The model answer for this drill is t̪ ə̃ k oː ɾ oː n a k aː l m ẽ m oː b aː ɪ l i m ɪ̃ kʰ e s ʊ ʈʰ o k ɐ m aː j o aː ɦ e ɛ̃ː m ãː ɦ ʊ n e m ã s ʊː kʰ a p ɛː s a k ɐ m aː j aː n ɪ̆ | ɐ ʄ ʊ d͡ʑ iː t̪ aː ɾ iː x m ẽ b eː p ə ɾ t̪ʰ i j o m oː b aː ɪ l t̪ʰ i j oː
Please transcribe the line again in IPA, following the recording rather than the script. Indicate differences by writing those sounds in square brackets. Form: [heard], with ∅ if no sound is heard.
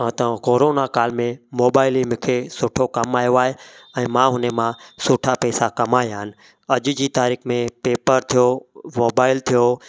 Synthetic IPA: t̪ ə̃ k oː ɾ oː n a k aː l m ẽ m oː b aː ɪ l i m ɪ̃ kʰ e s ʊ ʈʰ o k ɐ m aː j o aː ɦ e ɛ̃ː m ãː ɦ ʊ n e m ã s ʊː [ʈʰ] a p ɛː s a k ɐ m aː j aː n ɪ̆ | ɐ ʄ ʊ d͡ʑ iː t̪ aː ɾ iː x m ẽ [p] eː p ə ɾ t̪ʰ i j o m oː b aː ɪ l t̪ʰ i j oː